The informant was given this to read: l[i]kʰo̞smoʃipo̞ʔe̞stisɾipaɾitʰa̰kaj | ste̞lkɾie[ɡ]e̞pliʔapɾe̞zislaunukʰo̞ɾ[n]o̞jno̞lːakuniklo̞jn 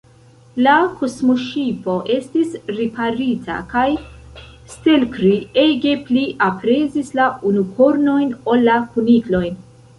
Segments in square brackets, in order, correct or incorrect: incorrect: a, correct, correct

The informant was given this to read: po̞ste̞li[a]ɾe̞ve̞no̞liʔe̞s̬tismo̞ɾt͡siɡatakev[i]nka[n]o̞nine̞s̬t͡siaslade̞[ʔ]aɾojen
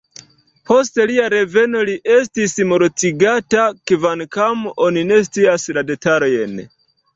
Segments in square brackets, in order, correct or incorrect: correct, incorrect: a, incorrect: m, incorrect: t

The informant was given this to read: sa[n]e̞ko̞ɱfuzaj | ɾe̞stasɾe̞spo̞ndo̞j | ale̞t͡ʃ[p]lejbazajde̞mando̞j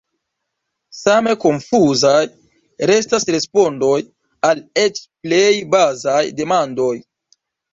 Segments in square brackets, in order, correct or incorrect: incorrect: m, correct

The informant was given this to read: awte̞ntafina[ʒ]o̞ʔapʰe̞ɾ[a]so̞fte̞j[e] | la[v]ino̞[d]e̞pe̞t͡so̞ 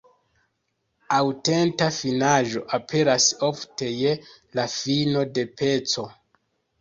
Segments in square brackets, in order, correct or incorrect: correct, correct, correct, incorrect: f, correct

